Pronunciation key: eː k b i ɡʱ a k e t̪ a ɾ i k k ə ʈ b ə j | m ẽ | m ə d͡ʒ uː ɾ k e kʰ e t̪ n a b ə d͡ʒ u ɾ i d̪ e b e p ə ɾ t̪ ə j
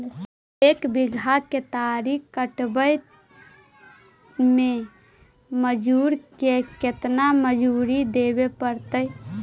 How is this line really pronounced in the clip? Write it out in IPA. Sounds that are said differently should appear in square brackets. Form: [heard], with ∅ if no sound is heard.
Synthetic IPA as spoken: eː k b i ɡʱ a k e t̪ a ɾ i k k ə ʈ b ə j | m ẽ | m ə d͡ʒ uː ɾ k e [k] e t̪ n a [m] ə d͡ʒ u ɾ i d̪ e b e p ə ɾ t̪ ə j